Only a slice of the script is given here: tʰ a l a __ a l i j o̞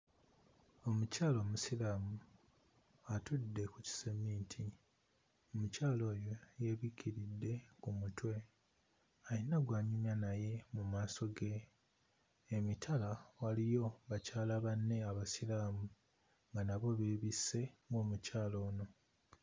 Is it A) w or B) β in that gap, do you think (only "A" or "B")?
A